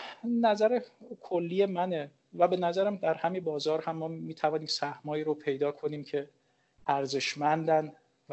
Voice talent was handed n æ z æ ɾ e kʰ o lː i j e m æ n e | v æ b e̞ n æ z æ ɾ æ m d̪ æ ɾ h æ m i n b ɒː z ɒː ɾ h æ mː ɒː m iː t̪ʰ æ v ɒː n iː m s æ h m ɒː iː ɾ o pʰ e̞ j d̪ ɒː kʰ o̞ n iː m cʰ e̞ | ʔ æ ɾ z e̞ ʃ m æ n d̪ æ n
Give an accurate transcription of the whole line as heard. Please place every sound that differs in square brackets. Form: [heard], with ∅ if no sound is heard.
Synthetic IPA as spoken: n æ z æ ɾ e kʰ o lː i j e m æ n e | v æ b e̞ n æ z æ ɾ æ m d̪ æ ɾ h æ m i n b ɒː z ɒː ɾ h æ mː ɒː m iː t̪ʰ æ v ɒː n iː m s æ h m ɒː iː ɾ o pʰ e̞ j d̪ ɒː kʰ o̞ n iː m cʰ e̞ | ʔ æ ɾ z e̞ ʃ m æ n d̪ æ n